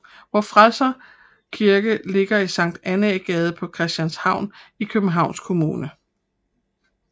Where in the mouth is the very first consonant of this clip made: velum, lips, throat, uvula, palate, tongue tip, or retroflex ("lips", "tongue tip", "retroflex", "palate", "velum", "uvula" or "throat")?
lips